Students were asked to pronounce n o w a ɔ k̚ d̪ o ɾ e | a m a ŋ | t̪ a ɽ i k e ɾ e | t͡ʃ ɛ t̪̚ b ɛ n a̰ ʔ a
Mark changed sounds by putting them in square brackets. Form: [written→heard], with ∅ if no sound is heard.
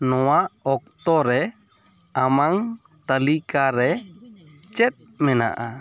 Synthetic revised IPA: n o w a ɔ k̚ [d̪→t̪] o ɾ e | a m a ŋ | t̪ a [ɽ→l] i k [e→a] ɾ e | t͡ʃ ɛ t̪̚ [b→m] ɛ n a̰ ʔ a